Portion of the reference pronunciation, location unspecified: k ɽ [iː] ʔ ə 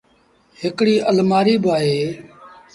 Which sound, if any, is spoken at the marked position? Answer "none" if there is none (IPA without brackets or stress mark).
iː